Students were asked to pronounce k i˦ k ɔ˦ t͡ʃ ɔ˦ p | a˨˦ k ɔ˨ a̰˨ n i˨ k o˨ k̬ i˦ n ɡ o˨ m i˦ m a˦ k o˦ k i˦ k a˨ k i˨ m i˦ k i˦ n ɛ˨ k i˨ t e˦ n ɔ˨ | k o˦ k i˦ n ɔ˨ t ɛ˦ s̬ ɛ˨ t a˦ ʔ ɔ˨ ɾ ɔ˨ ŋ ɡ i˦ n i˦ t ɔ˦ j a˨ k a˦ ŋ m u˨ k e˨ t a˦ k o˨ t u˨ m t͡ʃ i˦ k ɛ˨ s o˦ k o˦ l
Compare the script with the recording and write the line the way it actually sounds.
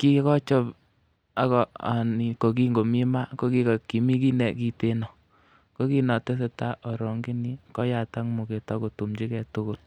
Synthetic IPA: k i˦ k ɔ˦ t͡ʃ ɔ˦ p | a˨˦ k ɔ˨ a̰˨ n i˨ k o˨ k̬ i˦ ŋ ɡ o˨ m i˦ m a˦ k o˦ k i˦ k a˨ k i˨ m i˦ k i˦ n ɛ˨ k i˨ t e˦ n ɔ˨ | k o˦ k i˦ n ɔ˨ t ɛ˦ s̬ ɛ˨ t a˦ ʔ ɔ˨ ɾ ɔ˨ ŋ ɡ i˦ n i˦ k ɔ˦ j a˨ t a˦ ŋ m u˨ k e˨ t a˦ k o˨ t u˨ m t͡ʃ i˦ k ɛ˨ t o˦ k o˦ l

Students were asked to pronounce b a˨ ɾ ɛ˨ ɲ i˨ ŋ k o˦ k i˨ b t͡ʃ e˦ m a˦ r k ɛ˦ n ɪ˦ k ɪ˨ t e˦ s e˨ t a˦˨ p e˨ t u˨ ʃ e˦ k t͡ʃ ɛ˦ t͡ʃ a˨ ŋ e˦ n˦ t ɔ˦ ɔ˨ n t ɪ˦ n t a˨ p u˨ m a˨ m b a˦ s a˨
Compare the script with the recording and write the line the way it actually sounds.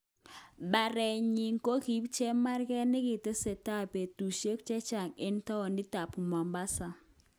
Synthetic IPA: b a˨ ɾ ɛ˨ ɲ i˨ ŋ k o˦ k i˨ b t͡ʃ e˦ m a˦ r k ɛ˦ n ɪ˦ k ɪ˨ t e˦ s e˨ t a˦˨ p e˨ t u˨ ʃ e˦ k t͡ʃ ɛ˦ t͡ʃ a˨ ŋ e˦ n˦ t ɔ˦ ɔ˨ n d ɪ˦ t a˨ p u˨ m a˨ m b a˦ s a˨

